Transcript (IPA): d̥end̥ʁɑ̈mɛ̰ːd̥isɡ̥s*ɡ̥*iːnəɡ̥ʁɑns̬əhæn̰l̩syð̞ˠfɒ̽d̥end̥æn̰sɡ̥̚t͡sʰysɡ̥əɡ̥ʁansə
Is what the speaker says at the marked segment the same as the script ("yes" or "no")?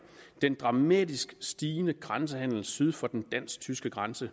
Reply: no